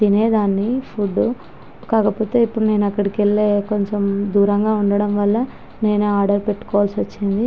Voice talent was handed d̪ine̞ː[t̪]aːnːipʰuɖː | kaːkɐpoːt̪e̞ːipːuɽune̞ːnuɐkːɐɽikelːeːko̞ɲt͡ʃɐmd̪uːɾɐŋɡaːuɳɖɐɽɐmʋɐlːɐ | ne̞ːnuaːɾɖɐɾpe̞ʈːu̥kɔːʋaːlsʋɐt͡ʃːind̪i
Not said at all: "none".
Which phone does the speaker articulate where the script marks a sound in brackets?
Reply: d̪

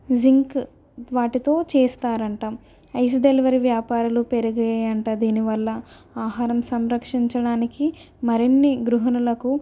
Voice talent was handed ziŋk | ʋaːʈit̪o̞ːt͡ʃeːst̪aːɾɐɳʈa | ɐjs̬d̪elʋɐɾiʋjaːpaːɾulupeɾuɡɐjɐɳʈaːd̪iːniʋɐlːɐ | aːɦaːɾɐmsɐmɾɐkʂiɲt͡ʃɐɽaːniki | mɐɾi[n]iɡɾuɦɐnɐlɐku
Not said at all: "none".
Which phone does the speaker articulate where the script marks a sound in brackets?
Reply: nː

